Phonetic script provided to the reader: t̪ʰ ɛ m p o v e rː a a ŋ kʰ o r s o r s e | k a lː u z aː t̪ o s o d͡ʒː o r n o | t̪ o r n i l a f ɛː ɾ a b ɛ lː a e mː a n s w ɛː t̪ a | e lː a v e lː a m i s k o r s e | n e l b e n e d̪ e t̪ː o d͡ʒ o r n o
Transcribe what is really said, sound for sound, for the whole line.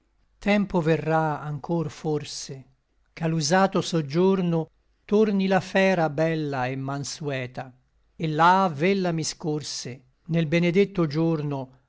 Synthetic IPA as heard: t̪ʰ ɛ m p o v e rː a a ŋ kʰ o r f o r s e | k a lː u z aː t̪ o s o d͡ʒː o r n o | t̪ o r n i l a f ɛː ɾ a b ɛ lː a e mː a n s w ɛː t̪ a | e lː a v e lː a m i s k o r s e | n e l b e n e d̪ e t̪ː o d͡ʒ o r n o